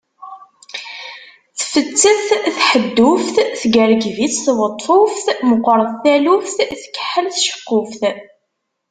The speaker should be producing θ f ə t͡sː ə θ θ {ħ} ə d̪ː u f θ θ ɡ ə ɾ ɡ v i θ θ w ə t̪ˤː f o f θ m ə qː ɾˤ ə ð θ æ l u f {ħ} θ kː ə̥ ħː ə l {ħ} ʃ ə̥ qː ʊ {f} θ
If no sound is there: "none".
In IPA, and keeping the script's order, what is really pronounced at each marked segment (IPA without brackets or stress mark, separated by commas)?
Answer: ħ, θ, θ, f